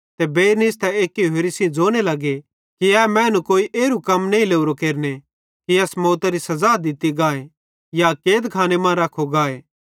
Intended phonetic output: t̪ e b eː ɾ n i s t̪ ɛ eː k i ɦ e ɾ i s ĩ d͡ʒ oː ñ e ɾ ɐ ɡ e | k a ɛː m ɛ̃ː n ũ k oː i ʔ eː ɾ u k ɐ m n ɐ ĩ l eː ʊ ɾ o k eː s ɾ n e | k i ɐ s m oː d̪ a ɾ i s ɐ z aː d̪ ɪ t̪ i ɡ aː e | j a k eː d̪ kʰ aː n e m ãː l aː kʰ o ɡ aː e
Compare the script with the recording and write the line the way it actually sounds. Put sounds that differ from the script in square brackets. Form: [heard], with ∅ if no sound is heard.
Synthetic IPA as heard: t̪ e b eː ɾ n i s t̪ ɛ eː k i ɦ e ɾ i s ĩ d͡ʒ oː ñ e [l] ɐ ɡ e | k [i] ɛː m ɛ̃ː n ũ k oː i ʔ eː ɾ u k ɐ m n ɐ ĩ l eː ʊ ɾ o k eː [∅] ɾ n e | k i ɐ s m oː [t̪] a ɾ i s ɐ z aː d̪ ɪ t̪ i ɡ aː e | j a k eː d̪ kʰ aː n e m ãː [ɾ] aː kʰ o ɡ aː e